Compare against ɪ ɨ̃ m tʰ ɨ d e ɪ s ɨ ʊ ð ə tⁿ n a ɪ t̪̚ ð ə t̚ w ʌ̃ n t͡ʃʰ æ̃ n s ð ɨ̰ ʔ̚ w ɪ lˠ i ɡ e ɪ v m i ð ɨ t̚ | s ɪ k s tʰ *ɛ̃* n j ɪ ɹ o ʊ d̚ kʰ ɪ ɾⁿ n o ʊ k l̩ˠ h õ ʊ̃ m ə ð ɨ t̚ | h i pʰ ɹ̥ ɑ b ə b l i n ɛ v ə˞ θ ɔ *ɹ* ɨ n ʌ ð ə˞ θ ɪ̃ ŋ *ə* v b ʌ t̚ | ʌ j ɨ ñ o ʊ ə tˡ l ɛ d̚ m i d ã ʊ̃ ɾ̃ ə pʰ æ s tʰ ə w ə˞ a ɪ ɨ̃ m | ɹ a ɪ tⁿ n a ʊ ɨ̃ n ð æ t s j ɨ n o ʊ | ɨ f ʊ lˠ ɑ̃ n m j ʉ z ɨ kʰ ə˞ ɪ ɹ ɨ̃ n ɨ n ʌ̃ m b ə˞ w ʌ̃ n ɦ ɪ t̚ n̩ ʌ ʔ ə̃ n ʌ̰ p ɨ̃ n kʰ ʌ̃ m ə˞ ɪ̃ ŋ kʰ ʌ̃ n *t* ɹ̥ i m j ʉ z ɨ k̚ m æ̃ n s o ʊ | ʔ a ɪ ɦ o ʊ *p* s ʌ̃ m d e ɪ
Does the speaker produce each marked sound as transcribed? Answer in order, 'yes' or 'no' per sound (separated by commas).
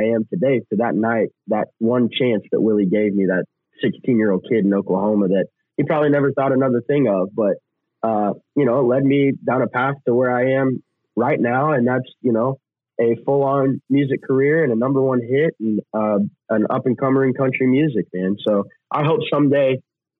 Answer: no, no, no, no, yes